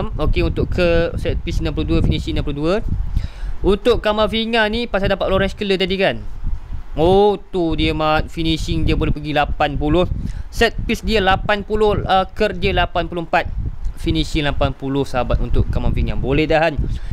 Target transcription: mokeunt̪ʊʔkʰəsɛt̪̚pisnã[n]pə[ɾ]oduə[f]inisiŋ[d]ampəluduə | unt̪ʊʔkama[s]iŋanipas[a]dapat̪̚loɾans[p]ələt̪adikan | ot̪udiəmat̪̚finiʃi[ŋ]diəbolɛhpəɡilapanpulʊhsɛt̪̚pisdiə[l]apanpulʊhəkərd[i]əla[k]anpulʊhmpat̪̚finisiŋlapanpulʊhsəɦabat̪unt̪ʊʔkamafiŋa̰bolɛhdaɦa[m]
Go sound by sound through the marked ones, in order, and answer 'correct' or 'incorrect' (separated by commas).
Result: incorrect, incorrect, correct, incorrect, incorrect, correct, incorrect, correct, correct, correct, incorrect, incorrect